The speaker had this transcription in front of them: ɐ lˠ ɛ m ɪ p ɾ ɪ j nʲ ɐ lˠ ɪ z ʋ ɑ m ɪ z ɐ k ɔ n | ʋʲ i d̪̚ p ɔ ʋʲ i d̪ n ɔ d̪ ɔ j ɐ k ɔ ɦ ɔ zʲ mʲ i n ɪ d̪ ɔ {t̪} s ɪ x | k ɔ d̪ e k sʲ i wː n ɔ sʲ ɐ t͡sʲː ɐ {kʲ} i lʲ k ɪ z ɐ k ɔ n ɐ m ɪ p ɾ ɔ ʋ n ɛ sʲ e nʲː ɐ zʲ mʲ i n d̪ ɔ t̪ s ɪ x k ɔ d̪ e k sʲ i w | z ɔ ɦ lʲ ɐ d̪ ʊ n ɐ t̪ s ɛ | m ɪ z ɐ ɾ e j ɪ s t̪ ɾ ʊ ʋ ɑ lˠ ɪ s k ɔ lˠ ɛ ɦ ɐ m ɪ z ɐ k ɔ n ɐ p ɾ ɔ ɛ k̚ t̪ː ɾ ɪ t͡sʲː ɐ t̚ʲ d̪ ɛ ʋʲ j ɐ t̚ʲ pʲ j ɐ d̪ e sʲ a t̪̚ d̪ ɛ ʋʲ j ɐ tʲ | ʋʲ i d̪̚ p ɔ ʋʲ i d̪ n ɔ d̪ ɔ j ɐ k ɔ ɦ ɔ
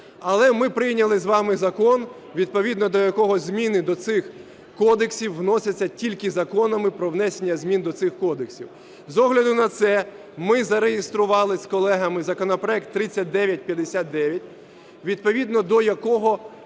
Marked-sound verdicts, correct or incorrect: correct, incorrect

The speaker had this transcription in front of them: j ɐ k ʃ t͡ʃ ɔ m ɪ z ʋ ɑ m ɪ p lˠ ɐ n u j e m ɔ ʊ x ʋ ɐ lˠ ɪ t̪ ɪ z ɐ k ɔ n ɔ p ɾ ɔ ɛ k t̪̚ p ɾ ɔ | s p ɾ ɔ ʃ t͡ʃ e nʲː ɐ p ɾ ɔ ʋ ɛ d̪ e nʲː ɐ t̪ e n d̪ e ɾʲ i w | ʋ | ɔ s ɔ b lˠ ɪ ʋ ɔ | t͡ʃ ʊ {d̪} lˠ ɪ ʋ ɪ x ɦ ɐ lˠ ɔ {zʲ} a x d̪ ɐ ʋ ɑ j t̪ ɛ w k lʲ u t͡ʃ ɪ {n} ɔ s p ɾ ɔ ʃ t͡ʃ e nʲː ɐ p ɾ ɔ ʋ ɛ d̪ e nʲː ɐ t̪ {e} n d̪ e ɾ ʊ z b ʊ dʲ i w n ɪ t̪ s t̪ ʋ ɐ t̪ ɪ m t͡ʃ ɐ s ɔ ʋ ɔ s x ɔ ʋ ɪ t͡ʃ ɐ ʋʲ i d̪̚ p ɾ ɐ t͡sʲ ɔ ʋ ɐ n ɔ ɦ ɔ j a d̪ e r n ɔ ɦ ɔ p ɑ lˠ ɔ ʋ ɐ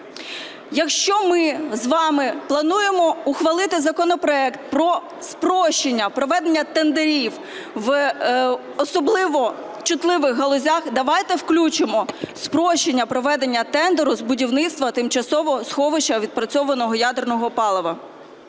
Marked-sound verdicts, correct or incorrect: incorrect, correct, incorrect, incorrect

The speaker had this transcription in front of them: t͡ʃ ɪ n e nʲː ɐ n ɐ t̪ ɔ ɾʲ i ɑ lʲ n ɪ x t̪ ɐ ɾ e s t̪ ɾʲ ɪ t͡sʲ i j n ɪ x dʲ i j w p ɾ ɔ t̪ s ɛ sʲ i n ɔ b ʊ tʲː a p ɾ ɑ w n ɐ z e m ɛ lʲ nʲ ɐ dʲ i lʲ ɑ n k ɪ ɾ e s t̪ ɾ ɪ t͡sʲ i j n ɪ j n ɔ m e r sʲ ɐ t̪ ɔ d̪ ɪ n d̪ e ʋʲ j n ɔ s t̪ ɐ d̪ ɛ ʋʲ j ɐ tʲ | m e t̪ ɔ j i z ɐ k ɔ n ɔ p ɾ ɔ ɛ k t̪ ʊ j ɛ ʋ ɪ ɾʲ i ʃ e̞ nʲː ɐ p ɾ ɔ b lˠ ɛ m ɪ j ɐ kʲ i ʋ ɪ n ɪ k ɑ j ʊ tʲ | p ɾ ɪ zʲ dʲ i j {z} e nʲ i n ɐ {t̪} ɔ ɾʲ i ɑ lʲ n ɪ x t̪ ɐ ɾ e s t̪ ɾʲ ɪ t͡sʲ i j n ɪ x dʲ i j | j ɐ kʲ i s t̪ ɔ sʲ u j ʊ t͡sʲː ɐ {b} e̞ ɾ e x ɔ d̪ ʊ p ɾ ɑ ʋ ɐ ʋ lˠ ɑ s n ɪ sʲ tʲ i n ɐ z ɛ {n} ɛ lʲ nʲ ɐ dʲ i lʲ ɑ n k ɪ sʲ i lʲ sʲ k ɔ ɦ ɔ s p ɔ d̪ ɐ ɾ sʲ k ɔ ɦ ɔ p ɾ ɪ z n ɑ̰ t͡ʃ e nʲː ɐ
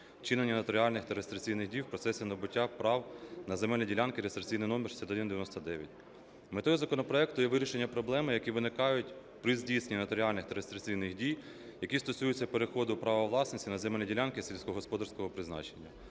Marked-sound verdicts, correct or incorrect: incorrect, correct, incorrect, incorrect

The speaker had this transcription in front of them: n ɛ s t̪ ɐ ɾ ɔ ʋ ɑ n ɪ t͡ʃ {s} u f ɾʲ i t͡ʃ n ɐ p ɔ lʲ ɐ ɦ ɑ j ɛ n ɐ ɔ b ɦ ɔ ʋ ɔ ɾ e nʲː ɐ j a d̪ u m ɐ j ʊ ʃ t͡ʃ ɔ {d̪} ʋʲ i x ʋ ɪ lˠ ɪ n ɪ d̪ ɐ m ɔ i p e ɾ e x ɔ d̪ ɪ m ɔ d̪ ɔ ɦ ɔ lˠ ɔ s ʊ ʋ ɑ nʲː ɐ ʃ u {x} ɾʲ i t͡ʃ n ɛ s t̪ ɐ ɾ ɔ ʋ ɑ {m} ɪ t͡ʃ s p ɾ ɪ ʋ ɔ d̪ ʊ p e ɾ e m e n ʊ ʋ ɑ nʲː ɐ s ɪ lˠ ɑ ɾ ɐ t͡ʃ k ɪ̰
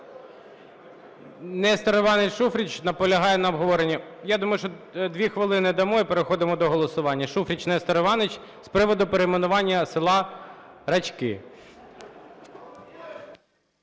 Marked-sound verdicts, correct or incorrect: incorrect, correct, incorrect, incorrect

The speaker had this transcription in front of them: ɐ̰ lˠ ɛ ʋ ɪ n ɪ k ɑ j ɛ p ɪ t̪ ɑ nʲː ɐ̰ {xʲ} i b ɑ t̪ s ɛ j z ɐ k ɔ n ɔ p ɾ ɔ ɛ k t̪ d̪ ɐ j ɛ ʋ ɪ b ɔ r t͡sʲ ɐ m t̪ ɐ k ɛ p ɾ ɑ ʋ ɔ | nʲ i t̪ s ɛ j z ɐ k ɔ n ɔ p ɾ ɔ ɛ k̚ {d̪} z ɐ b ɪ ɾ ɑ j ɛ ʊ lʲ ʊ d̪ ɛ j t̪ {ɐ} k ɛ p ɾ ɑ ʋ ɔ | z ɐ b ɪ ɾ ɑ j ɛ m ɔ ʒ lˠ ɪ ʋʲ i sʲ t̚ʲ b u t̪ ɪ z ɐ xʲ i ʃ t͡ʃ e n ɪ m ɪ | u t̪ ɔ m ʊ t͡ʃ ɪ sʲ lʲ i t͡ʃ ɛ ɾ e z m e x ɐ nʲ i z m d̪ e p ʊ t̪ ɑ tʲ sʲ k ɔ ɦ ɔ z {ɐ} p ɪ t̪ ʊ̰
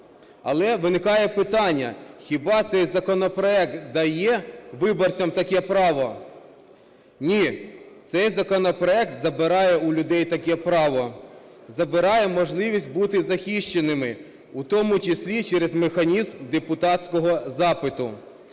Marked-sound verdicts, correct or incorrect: correct, incorrect, correct, incorrect

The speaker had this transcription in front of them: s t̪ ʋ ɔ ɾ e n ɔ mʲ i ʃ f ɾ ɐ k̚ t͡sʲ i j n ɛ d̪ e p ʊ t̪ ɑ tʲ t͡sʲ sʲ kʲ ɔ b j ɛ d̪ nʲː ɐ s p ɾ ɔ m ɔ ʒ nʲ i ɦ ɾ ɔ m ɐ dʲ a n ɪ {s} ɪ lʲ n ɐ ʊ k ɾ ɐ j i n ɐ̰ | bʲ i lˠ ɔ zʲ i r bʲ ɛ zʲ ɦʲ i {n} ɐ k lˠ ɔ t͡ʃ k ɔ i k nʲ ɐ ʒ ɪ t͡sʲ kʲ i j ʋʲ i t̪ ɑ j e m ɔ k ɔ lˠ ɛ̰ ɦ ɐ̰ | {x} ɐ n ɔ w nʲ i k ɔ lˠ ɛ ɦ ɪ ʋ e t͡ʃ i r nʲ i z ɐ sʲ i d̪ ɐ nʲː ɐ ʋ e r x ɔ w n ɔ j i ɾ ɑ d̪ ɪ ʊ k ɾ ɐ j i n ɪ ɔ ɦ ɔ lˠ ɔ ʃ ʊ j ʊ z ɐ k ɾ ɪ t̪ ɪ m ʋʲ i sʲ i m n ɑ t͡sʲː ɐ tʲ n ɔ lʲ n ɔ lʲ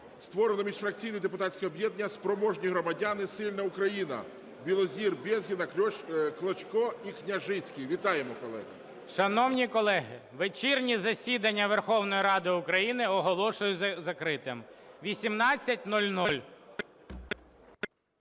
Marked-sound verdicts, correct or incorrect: correct, correct, incorrect

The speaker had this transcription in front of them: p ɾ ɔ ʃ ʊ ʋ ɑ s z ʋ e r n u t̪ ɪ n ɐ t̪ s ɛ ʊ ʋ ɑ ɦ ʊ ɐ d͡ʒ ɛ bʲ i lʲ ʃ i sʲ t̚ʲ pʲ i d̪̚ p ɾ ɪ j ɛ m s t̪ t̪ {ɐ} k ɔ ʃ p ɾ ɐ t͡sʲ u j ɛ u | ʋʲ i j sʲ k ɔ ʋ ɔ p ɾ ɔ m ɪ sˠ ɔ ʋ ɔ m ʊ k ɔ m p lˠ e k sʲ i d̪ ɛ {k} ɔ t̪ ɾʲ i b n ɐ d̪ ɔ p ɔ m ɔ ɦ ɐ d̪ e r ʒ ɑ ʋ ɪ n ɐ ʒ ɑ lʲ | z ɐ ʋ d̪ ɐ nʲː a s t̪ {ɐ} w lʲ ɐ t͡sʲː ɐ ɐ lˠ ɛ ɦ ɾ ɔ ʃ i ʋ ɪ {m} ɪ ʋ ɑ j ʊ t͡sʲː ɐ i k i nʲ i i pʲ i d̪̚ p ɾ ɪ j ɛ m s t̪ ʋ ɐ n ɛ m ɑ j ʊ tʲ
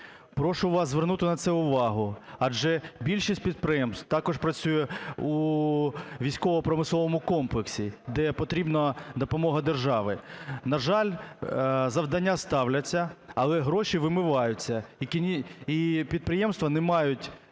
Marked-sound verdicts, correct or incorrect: incorrect, incorrect, incorrect, correct

